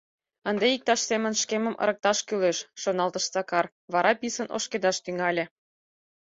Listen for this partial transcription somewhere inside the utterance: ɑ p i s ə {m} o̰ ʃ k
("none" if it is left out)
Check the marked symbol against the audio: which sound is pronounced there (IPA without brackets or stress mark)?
n